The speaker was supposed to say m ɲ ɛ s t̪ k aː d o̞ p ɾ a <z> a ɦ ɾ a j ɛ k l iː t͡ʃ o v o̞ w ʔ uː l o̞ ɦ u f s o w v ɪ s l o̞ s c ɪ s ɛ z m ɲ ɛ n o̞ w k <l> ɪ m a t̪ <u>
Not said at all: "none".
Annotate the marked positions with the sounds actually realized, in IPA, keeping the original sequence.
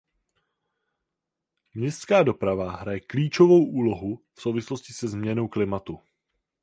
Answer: v, l, u

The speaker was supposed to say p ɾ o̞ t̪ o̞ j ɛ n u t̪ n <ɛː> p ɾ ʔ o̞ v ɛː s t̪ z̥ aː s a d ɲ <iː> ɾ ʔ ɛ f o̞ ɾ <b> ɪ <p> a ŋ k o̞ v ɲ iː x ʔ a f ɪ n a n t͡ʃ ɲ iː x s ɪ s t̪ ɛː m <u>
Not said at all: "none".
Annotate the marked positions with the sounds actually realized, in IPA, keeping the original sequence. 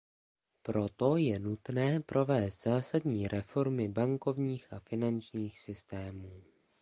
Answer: ɛː, iː, m, b, uː

